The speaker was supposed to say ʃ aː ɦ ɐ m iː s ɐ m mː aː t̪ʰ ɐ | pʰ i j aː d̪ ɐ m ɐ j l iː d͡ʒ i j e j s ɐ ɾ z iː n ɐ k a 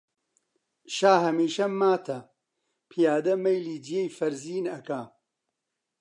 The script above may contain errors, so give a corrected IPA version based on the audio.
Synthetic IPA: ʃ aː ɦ ɐ m iː ʃ ɐ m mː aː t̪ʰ ɐ | pʰ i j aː d̪ ɐ m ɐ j l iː d͡ʒ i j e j f ɐ ɾ z iː n ɐ k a